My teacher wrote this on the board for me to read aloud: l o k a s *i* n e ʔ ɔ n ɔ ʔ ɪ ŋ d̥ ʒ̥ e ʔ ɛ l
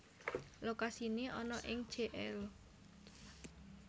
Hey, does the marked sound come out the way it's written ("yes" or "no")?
yes